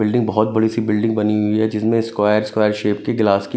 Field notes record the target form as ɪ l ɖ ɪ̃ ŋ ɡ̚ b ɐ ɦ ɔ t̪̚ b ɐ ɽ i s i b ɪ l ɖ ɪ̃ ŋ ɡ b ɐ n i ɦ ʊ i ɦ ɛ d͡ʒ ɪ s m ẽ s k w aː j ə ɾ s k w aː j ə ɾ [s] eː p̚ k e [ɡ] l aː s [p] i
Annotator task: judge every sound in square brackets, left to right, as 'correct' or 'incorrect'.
incorrect: ʃ, correct, incorrect: k

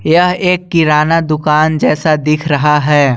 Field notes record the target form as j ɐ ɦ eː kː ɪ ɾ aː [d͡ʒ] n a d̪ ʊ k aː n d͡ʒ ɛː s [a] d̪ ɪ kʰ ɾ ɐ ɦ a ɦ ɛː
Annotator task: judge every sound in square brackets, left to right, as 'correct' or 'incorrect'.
incorrect: none, correct

